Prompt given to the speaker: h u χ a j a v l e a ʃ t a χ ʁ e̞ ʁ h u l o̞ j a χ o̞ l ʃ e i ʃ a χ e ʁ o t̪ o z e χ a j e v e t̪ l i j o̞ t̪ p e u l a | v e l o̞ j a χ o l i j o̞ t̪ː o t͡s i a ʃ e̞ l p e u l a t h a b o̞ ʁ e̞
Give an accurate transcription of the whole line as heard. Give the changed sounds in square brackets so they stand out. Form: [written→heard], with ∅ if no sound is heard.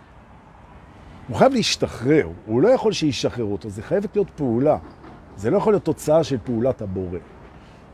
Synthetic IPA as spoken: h u χ a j a v l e [a→i] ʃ t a χ ʁ e̞ ʁ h u l o̞ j a χ o̞ l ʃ e i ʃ a χ e ʁ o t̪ o z e χ a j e v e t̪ l i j o̞ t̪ p e u l a | [v→z] e l o̞ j a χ o l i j o̞ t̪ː o t͡s [i→a] a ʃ e̞ l p e u l a t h a b o̞ ʁ e̞